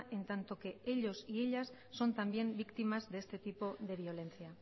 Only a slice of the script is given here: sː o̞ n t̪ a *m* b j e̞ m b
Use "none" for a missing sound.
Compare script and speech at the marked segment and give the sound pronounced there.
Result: m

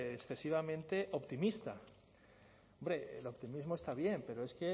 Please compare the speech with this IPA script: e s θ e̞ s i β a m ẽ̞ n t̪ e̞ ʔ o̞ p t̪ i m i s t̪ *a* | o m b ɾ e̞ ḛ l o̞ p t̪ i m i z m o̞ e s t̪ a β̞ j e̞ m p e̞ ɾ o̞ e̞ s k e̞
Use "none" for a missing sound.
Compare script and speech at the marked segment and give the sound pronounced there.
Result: a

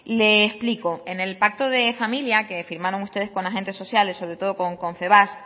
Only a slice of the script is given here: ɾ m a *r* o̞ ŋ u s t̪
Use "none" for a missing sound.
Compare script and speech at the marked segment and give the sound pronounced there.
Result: ɾ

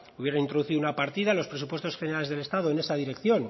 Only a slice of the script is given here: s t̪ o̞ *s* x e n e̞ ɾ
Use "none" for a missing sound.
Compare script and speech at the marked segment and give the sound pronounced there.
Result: s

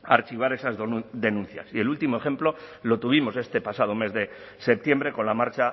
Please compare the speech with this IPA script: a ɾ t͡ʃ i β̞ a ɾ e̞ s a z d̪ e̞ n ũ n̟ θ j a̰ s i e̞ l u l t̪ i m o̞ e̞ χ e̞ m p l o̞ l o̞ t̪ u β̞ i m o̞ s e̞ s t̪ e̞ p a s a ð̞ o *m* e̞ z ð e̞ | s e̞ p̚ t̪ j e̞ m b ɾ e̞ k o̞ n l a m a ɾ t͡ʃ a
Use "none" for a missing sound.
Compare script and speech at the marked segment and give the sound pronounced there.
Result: m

